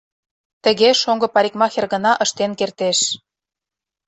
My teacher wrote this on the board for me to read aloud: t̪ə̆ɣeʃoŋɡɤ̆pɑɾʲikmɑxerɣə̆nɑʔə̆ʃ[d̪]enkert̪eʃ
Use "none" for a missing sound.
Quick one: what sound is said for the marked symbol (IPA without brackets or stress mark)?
t̪